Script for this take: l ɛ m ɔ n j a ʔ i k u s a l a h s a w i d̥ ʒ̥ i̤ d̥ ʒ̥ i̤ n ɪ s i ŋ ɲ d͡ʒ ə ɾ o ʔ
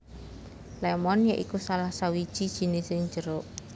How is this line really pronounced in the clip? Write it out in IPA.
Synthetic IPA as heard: l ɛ m ɔ n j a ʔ i k u s a l a h s a w i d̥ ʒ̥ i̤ d̥ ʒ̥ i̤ n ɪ s ɪ ŋ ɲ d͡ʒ ə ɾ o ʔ

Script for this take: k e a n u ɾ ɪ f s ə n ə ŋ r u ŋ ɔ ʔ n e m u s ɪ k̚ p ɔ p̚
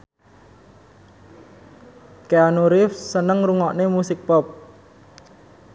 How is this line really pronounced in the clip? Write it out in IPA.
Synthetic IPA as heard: k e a n u ɾ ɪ f s ə n ə ŋ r u ŋ ɔ ʔ n e m u s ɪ k̚ p ɔ p̚

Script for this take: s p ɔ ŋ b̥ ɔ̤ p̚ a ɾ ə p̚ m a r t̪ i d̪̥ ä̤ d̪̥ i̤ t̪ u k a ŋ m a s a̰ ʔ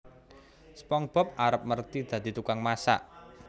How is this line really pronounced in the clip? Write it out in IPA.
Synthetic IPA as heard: s p ɔ ŋ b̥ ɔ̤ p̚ a ɾ ə p̚ m ə r t̪ i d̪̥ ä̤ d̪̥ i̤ t̪ u k a ŋ m a s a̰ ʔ

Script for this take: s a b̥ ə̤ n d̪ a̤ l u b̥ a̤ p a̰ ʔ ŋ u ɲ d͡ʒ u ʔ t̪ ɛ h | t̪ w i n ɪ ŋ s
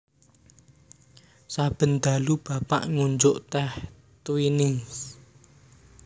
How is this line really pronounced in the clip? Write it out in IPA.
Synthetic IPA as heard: s a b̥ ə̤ n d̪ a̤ l u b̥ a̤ p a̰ ʔ ŋ u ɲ d͡ʒ ʊ ʔ t̪ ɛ h | t̪ w i n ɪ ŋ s

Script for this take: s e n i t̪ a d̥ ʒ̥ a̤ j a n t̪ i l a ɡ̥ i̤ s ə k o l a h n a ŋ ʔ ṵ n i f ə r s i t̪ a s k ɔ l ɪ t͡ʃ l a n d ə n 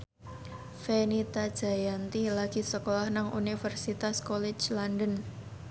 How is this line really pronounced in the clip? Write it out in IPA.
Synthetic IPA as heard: f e n i t̪ a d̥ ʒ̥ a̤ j a n t̪ i l a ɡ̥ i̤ s ə k o l a h n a ŋ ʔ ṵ n i f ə r s i t̪ a s k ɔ l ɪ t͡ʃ l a n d ə n

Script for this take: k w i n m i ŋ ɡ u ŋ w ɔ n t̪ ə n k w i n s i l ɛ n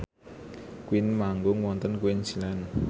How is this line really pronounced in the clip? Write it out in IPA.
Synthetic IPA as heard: k w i n m a ŋ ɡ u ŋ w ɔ n t̪ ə n k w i n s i l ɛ n

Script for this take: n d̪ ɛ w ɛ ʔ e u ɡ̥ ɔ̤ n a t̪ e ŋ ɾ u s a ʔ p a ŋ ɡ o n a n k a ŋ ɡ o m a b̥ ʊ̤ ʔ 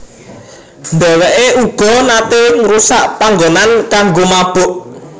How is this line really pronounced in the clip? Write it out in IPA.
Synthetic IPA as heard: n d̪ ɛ w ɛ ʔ e u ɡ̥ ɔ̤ n a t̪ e ŋ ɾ u s a ʔ p a ŋ ɡ o n a n k a ŋ ɡ o m a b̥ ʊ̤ ʔ

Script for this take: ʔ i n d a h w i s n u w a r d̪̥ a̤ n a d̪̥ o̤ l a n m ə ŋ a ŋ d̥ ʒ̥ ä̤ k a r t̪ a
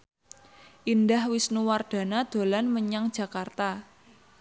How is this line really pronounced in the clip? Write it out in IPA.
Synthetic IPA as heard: ʔ i n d a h w i s n u w a r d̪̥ a̤ n a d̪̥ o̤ l a n m ə ɲ a ŋ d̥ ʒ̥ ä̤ k a r t̪ a

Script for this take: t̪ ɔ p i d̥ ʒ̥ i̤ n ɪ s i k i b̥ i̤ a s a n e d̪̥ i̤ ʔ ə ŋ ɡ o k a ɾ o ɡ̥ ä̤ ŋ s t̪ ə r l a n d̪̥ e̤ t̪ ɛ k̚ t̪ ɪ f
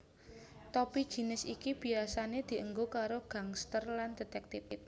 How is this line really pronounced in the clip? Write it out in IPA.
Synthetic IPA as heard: t̪ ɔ p i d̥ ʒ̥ i̤ n ɪ s i k i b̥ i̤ a s a n e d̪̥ i̤ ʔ ə ŋ ɡ o k a ɾ o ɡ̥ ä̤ ŋ s t̪ ə r l a n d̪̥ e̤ t̪ ɛ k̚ t̪ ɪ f

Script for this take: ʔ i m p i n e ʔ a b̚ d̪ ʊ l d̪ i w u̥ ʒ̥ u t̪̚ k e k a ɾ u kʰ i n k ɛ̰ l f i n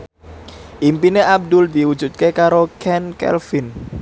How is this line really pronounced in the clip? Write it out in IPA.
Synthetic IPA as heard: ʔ i m p i n e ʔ a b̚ d̪ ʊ l d̪ i w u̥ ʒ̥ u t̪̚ k e k a ɾ o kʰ ɛ n k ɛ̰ l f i n

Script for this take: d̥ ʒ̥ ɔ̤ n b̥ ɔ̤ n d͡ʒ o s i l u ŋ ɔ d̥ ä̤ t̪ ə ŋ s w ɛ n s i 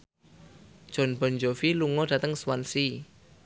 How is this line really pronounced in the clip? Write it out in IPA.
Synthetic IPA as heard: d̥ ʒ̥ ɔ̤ n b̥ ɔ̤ n d͡ʒ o f i l u ŋ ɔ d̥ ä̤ t̪ ə ŋ s w a n s i

